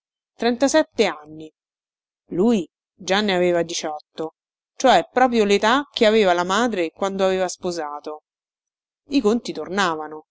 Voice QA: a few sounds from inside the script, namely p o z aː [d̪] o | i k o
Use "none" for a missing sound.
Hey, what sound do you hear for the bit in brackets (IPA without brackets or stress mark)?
t̪